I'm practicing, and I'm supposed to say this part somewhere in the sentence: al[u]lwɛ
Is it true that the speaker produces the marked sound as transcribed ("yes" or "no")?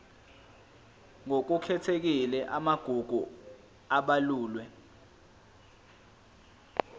no